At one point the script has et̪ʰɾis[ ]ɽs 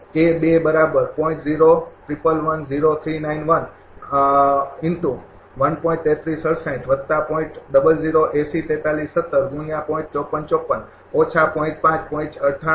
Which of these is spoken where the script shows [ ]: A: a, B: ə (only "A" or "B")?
B